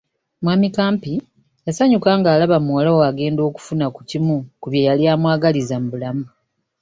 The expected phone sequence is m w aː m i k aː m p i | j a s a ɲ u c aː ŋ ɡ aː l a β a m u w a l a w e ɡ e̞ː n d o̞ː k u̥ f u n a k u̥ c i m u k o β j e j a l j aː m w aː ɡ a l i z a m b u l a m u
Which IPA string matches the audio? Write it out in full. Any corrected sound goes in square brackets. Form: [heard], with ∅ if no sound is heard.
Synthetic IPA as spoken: m w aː m i k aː m p i | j a s a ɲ u [k] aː ŋ ɡ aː l a β a m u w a l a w [a] ɡ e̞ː n d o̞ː k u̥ f u n a k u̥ c i m u k [u] β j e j a l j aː m w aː ɡ a l i z a m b u l a m u